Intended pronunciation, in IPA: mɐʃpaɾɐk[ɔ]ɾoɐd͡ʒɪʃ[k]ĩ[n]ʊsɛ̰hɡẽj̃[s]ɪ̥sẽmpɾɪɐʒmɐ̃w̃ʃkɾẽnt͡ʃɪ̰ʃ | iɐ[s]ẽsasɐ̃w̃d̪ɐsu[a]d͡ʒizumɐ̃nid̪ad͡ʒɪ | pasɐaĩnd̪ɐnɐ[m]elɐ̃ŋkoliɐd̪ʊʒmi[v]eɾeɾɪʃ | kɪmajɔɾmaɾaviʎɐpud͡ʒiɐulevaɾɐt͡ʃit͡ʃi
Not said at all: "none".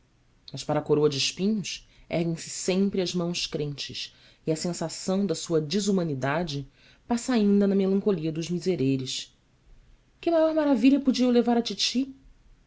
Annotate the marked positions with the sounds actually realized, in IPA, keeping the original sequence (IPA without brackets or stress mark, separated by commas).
o, p, ɲ, s, s, ɐ, m, z